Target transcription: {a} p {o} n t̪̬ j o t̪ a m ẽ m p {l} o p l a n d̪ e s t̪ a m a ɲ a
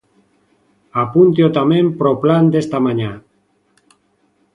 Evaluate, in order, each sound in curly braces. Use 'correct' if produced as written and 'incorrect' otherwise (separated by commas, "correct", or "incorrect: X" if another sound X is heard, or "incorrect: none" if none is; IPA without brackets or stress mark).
correct, incorrect: u, incorrect: ɾ